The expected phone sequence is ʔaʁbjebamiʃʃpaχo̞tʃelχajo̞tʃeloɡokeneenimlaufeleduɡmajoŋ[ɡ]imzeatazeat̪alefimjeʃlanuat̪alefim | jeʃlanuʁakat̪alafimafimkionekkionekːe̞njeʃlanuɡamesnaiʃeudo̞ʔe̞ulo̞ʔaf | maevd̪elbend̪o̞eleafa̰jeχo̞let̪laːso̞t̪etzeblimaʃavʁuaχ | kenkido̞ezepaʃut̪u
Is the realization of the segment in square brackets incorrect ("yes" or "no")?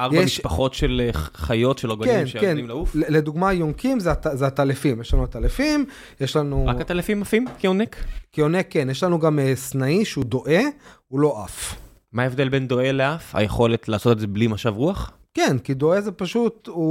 yes